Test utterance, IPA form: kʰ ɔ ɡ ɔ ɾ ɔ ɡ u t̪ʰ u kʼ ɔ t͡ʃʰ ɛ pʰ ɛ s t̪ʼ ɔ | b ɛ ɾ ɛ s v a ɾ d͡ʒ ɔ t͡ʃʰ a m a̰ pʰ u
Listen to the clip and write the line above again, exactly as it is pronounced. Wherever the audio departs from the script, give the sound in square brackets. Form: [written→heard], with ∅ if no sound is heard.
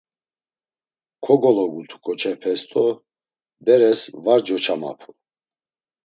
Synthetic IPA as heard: kʰ ɔ ɡ ɔ [ɾ→l] ɔ ɡ u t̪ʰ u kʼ ɔ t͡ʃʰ ɛ pʰ ɛ s t̪ʼ ɔ | b ɛ ɾ ɛ s v a ɾ d͡ʒ ɔ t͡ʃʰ a m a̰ pʰ u